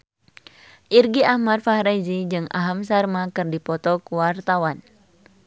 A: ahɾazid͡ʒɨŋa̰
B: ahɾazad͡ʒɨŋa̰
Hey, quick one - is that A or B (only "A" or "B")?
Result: A